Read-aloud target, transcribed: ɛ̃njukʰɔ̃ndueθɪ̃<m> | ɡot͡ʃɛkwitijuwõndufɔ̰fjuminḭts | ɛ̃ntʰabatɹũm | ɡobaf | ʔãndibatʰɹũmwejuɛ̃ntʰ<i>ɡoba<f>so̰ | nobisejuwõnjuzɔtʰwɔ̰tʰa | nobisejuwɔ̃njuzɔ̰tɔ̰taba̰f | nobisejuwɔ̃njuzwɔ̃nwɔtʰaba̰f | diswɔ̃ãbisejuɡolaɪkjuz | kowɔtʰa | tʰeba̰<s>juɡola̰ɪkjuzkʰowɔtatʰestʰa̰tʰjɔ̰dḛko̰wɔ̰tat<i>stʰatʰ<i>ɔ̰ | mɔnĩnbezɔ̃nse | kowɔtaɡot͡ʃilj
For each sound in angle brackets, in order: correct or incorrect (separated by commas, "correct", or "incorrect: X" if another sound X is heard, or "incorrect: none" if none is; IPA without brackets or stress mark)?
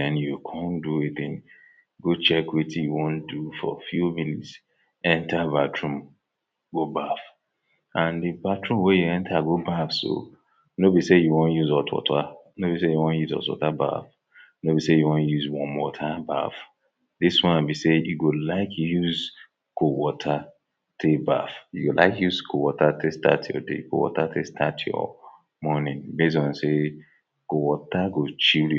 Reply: incorrect: ŋ, incorrect: a, correct, incorrect: f, incorrect: e, incorrect: j